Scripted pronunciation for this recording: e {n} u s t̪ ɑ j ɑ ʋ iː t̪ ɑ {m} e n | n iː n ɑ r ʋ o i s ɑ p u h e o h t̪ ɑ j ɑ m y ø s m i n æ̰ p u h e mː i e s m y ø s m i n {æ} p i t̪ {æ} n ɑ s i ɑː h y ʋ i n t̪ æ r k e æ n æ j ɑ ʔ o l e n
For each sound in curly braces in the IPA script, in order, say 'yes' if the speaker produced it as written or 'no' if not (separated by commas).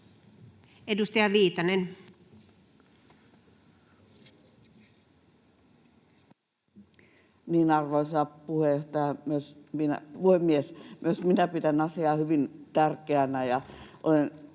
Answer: no, no, yes, yes